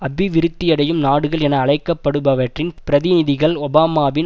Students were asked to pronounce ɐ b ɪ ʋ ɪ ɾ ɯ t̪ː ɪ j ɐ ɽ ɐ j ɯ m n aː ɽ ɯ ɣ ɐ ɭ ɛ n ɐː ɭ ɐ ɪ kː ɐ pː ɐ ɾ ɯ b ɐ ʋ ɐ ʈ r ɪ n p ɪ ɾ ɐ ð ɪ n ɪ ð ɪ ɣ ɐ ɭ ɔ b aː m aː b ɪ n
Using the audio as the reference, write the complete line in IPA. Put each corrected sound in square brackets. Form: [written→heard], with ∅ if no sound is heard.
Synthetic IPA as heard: ɐ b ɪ ʋ ɪ ɾ ɯ t̪ː ɪ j ɐ ɽ ɐ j ɯ m n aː ɽ ɯ ɣ ɐ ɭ ɛ n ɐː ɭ ɐ ɪ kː ɐ pː ɐ [ɾ→ɽ] ɯ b ɐ ʋ ɐ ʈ r ɪ n p ɪ ɾ ɐ ð ɪ n ɪ ð ɪ ɣ ɐ ɭ ɔ b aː m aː b ɪ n